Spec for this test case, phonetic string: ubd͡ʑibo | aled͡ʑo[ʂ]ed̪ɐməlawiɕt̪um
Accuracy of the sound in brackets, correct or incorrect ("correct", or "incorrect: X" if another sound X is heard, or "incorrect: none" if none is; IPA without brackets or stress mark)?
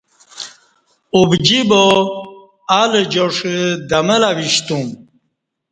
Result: correct